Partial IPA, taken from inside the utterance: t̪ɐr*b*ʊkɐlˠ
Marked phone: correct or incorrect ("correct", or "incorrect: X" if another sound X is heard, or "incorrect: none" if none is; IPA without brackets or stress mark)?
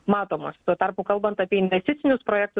incorrect: p